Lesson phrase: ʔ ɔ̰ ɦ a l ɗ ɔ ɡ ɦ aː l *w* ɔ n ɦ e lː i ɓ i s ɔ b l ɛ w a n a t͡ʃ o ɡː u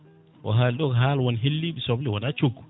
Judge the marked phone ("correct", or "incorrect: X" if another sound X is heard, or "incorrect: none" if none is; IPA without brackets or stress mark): correct